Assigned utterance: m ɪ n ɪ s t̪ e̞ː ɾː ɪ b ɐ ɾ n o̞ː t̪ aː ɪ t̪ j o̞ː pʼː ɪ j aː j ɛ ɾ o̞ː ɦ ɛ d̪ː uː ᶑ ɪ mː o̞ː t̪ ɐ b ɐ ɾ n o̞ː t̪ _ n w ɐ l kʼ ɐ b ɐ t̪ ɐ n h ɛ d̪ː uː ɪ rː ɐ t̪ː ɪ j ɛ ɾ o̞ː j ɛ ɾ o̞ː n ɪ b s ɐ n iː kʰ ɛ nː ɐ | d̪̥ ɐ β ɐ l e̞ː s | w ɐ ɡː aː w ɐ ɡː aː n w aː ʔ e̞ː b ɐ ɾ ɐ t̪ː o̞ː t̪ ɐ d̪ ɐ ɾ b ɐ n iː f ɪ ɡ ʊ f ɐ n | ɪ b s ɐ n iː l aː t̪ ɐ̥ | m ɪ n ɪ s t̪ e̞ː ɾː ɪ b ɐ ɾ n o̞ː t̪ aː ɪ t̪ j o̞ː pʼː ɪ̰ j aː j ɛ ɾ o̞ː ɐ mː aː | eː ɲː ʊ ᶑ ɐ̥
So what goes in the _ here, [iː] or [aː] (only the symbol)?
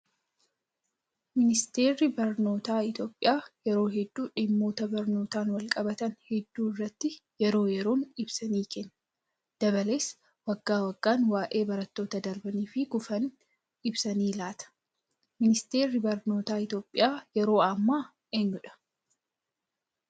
aː